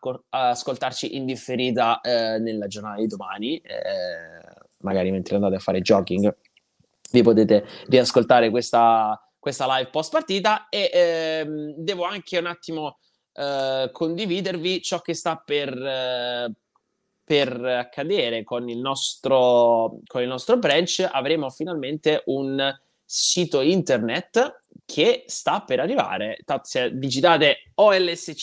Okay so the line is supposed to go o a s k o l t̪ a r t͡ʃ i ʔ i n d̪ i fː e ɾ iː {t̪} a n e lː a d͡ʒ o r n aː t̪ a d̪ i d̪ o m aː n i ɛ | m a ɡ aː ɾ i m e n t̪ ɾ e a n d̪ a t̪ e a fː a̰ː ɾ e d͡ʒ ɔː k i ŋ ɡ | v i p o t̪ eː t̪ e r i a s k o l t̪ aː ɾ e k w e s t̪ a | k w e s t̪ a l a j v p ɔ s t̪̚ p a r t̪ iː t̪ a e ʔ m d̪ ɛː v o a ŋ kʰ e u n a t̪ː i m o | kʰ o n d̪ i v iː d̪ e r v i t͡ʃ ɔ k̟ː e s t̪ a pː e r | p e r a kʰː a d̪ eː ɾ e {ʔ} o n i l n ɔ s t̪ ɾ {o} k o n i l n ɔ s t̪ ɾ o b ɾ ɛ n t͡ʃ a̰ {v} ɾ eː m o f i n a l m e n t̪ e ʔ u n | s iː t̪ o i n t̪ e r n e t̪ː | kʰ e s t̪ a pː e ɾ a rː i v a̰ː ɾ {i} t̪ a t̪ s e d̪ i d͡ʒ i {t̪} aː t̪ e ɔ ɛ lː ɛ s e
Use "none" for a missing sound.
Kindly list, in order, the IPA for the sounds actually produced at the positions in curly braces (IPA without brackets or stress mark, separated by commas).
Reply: t̪, k, o, v, e, t̪